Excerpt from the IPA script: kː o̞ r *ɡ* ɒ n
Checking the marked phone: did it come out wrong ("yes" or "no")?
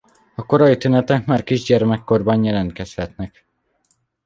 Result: yes